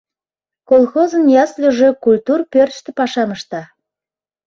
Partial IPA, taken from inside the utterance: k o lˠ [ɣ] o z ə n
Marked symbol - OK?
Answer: no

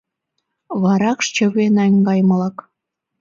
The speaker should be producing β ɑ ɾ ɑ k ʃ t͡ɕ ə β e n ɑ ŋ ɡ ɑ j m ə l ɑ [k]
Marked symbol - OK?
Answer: yes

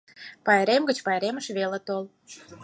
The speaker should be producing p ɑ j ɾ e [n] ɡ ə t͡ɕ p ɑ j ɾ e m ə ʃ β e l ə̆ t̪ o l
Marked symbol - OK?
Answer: no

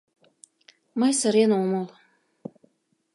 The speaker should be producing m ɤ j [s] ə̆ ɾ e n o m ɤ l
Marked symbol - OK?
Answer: yes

